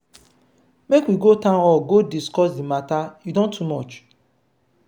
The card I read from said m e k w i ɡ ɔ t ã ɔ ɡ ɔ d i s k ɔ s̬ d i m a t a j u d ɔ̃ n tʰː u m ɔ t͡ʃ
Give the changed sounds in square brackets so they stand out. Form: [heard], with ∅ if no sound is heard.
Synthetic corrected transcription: m e k w i ɡ [o] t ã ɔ ɡ [o] d i s k ɔ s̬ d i m a t a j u d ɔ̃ n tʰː u m ɔ t͡ʃ